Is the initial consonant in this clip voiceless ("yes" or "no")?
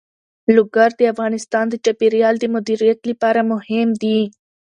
no